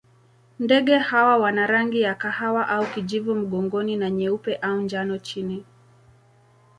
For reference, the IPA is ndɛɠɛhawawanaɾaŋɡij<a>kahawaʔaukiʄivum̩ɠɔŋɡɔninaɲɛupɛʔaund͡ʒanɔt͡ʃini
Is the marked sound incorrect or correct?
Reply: correct